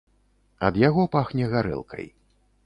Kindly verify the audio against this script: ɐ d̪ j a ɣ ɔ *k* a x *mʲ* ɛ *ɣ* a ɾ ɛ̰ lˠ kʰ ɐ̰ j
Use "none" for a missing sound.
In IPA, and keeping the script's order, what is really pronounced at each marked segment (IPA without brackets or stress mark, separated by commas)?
p, nʲ, ɣ